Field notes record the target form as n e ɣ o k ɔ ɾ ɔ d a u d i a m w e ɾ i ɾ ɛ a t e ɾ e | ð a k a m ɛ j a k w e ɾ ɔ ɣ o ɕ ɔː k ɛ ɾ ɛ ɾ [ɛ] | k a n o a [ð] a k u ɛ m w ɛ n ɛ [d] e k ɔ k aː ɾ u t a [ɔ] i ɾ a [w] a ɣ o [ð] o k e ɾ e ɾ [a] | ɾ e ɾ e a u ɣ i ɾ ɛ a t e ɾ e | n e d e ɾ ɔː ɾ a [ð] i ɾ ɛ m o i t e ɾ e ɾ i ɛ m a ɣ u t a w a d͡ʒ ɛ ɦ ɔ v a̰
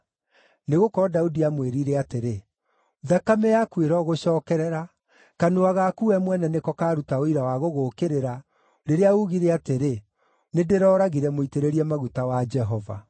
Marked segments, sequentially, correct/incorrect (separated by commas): incorrect, incorrect, incorrect, incorrect, correct, incorrect, correct, incorrect